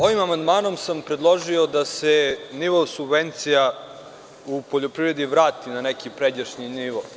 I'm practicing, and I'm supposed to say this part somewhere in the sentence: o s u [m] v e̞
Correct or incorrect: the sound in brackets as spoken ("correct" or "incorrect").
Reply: incorrect